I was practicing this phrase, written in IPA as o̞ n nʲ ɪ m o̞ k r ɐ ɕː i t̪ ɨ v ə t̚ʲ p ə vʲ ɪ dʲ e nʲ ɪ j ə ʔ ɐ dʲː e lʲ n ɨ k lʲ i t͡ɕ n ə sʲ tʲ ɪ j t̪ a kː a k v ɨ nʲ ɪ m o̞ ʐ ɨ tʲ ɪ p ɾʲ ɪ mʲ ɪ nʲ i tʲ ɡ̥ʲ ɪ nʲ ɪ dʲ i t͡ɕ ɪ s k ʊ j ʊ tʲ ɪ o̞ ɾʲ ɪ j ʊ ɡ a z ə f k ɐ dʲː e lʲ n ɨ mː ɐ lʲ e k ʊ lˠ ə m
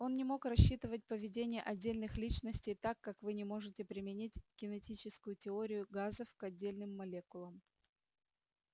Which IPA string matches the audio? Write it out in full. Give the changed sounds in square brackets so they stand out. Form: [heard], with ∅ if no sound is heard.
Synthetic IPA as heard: o̞ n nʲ ɪ m o̞ k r ɐ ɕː i t̪ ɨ v ə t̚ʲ p ə vʲ ɪ dʲ e nʲ ɪ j ə ʔ ɐ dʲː e lʲ n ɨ [x] lʲ i t͡ɕ n ə sʲ tʲ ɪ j t̪ a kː a k v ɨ nʲ ɪ m o̞ ʐ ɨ tʲ ɪ p ɾʲ ɪ mʲ ɪ nʲ i tʲ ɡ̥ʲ ɪ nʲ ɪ [tʲ] i t͡ɕ ɪ s k ʊ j ʊ tʲ ɪ o̞ ɾʲ ɪ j ʊ ɡ a z ə f k ɐ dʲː e lʲ n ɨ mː ɐ lʲ e k ʊ lˠ ə m